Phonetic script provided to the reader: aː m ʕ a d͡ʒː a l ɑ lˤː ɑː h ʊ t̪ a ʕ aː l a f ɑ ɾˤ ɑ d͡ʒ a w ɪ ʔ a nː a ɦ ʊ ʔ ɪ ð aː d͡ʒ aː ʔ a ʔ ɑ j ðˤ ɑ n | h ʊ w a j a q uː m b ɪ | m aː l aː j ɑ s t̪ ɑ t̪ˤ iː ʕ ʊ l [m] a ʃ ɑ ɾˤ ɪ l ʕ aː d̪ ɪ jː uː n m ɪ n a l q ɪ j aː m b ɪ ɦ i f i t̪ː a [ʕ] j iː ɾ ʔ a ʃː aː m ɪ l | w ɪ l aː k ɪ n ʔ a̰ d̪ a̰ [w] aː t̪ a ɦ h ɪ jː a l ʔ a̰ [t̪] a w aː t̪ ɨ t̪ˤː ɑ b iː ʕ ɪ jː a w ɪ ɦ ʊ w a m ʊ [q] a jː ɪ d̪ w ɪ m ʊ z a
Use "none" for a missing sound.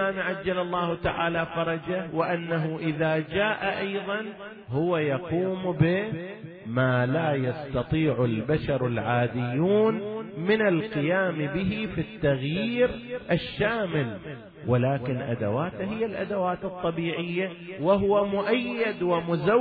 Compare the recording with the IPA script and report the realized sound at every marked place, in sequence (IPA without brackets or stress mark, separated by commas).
b, ɣ, w, d̪, ʔ